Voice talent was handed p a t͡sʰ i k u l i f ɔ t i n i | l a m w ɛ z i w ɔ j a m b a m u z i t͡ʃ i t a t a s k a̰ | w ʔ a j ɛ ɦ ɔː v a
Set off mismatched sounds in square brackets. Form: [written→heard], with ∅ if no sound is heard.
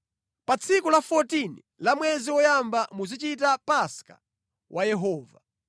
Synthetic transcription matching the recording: p a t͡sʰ i k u l [i→a] f ɔ t i n i | l a m w ɛ z i w ɔ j a m b a m u z i t͡ʃ i t a [t→p] a s k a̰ | w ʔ a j ɛ ɦ ɔː v a